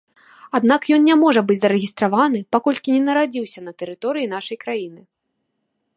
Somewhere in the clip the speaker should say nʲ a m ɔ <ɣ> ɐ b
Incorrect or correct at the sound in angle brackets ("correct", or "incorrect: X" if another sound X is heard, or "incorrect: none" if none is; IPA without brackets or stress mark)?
incorrect: ʐ